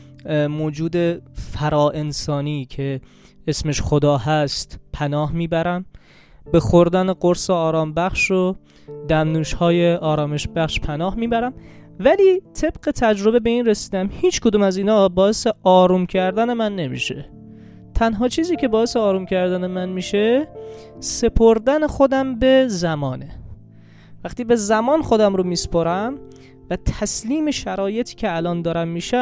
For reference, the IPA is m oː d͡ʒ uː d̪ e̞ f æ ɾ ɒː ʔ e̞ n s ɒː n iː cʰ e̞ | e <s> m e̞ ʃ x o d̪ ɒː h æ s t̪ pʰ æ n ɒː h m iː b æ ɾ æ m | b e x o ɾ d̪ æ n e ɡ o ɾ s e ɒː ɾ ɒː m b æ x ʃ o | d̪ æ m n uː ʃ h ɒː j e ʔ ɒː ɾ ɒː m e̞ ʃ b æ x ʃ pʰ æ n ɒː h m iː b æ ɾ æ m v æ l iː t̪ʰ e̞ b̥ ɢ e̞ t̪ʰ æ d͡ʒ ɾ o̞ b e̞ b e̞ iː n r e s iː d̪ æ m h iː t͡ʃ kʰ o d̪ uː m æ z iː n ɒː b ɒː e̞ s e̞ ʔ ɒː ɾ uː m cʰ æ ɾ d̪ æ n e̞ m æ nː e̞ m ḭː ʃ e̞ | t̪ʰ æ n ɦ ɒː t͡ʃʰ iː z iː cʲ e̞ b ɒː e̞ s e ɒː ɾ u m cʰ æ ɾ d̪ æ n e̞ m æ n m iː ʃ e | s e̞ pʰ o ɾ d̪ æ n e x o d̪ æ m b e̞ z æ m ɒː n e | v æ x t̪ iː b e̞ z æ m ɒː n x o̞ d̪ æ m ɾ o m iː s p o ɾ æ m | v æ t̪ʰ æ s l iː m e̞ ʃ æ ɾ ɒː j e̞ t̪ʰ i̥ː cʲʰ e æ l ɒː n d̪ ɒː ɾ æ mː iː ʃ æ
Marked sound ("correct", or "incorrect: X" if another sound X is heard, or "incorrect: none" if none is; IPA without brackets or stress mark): correct